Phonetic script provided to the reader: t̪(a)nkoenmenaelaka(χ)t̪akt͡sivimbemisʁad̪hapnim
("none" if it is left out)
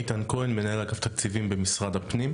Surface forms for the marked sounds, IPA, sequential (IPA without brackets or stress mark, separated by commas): a, f